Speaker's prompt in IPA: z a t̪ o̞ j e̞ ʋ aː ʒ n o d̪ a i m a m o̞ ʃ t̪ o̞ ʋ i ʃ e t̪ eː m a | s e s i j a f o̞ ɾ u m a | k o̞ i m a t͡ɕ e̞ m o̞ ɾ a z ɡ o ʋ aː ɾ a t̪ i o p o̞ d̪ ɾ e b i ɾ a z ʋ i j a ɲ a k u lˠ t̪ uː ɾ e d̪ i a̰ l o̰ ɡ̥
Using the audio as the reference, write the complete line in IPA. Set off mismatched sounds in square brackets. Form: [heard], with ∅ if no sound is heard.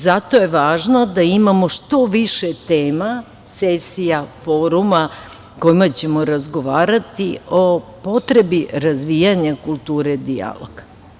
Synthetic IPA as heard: z a t̪ o̞ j e̞ ʋ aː ʒ n o d̪ a i m a m o̞ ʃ t̪ o̞ ʋ i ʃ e t̪ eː m a | s e s i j a f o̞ ɾ u m a | k o̞ i m a t͡ɕ e̞ m o̞ ɾ a z ɡ o ʋ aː ɾ a t̪ i o p o̞ [t̪] ɾ e b i ɾ a z ʋ i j a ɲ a k u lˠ t̪ uː ɾ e d̪ i a̰ l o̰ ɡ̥

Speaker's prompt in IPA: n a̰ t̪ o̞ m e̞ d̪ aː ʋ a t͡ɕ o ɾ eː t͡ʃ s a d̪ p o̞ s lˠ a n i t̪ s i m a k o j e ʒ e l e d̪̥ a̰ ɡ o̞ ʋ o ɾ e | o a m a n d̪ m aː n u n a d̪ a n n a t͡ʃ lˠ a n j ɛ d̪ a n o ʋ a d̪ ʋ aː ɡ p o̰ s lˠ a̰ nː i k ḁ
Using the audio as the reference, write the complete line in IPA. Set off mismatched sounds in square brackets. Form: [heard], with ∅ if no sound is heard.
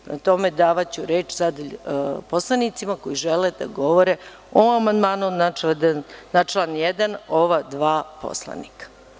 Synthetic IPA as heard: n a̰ t̪ o̞ m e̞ d̪ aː ʋ a t͡ɕ [u] ɾ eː t͡ʃ s a d̪ p o̞ s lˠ a n i t̪ s i m a k o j [i] ʒ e l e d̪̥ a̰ ɡ o̞ ʋ o ɾ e | o a m a n d̪ m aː n u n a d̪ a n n a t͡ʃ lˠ a n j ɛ d̪ a n o ʋ a d̪ ʋ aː [∅] p o̰ s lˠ a̰ [n] i k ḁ

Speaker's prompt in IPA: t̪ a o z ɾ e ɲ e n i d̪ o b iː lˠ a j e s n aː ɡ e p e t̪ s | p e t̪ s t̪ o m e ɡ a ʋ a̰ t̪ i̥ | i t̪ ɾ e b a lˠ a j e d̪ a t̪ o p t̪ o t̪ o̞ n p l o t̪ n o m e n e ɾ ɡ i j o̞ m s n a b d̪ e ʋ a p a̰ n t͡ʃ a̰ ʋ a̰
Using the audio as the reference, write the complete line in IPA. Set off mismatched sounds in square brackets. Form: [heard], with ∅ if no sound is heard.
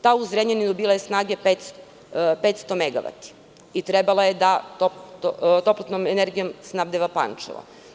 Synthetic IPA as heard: t̪ a [u] z ɾ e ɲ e n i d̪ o b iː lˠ a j e s n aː ɡ e p e t̪ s | p e t̪ s t̪ o m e ɡ a ʋ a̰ t̪ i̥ | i t̪ ɾ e b a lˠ a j e d̪ a t̪ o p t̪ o t̪ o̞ [∅] p l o t̪ n o m e n e ɾ ɡ i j o̞ m s n a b d̪ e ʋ a p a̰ n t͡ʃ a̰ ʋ a̰

